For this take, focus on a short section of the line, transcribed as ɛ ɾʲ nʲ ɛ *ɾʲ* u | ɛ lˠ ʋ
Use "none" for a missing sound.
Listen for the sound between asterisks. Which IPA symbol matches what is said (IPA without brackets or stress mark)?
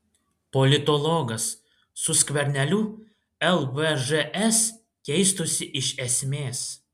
lʲ